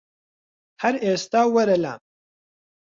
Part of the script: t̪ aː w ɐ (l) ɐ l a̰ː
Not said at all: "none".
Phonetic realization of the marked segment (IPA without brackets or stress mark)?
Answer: ɾ